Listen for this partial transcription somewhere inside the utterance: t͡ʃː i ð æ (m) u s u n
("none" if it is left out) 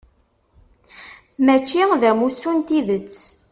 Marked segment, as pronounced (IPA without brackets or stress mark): m